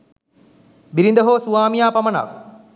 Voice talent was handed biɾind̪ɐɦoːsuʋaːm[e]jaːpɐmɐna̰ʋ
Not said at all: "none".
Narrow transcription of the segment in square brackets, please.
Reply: i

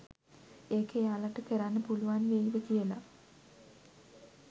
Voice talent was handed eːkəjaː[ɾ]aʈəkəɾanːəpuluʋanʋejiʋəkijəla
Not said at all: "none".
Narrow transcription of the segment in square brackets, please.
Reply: l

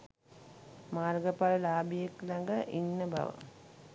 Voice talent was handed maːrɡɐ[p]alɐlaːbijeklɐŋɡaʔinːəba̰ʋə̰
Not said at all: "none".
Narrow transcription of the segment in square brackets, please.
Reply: p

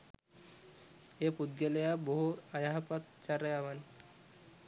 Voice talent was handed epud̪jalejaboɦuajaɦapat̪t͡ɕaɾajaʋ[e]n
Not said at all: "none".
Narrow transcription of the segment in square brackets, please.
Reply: a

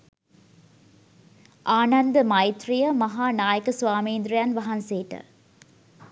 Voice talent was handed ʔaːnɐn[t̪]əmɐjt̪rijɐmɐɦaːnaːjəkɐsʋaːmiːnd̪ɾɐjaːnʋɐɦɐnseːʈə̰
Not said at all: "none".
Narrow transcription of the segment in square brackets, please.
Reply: d̪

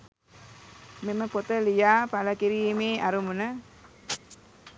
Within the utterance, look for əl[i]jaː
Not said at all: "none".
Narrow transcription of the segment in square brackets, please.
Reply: i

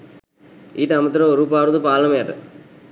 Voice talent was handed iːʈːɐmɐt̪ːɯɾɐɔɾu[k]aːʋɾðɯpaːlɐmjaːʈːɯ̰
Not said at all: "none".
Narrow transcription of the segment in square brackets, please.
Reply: p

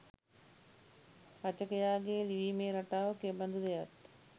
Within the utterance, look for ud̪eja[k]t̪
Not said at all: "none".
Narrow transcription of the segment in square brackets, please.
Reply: none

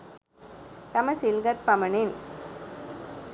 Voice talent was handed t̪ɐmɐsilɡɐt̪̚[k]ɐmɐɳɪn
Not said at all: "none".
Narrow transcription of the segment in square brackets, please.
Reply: p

